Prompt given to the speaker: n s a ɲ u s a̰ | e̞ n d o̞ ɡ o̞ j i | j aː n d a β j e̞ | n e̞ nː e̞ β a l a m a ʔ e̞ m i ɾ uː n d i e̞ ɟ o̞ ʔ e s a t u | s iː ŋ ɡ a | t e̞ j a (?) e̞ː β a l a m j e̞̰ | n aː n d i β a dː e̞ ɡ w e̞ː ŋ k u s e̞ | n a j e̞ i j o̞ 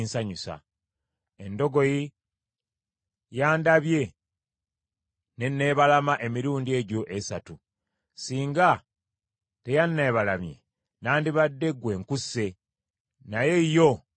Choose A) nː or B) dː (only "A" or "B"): A